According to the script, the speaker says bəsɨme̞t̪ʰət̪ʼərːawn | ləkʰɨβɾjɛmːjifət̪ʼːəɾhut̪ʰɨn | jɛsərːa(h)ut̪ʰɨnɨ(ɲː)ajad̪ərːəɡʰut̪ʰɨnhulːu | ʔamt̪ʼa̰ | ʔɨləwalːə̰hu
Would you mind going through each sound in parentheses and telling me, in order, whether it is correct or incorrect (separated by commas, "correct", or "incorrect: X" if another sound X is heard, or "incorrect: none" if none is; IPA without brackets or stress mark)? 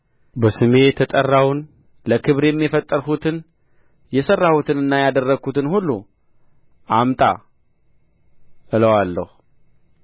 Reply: correct, incorrect: nː